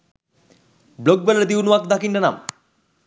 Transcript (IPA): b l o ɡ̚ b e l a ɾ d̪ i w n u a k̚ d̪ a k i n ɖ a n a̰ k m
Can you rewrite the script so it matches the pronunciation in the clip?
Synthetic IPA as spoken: b l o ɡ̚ b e l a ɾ d̪ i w n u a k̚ d̪ a k i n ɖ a n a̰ m